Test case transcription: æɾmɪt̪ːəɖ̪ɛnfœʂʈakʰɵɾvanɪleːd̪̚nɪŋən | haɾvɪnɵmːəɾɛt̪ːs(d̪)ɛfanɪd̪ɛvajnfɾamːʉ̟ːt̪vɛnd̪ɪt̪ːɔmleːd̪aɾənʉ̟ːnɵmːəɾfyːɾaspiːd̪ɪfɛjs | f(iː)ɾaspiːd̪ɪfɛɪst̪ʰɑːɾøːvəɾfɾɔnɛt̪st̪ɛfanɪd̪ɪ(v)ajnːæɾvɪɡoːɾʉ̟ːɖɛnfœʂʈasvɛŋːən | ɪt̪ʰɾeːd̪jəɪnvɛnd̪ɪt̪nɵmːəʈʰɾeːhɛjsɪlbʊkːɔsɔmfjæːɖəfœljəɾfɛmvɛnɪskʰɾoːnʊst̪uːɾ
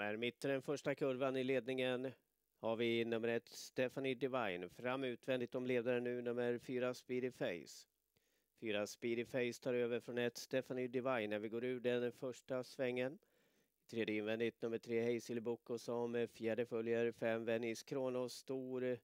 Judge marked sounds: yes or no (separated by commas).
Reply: no, no, yes